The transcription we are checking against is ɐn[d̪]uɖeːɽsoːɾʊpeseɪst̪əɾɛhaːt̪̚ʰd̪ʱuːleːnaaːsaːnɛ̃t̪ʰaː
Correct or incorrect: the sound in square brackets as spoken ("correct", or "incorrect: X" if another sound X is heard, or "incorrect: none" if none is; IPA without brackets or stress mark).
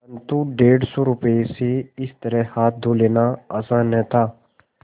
incorrect: t̪